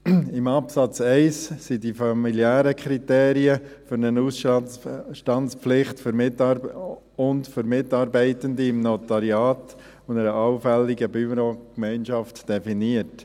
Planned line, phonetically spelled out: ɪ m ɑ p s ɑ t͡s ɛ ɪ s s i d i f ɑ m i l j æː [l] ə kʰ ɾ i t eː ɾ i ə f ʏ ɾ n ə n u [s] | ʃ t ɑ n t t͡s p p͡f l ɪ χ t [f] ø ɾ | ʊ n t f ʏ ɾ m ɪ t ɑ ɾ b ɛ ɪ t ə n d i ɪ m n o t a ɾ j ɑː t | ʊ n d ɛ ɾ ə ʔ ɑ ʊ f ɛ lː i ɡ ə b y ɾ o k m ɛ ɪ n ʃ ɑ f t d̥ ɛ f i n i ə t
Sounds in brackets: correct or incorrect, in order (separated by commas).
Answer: incorrect, correct, correct